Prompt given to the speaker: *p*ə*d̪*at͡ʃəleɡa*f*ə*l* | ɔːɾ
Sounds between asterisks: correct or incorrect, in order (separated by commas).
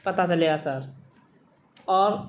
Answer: correct, incorrect, incorrect, incorrect